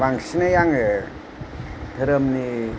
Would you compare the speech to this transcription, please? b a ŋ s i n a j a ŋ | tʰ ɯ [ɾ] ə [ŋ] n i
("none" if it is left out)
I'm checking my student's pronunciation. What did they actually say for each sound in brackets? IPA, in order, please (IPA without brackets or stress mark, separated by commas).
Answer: ɾ, m